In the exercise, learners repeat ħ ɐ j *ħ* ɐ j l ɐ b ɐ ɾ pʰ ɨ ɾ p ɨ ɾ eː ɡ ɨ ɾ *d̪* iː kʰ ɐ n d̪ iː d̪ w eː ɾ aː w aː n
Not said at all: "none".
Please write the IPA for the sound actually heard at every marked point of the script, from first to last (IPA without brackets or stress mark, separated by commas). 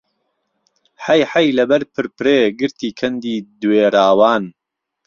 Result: ħ, t̪